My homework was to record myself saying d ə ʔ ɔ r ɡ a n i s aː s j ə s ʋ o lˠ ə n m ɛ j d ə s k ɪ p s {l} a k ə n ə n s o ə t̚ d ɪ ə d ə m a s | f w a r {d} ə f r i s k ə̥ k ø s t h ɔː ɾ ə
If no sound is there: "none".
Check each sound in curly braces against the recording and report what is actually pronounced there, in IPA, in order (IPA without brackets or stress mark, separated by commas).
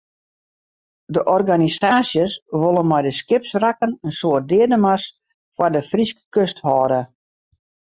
r, d